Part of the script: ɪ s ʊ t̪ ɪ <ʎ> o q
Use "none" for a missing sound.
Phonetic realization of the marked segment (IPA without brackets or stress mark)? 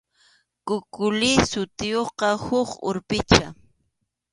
j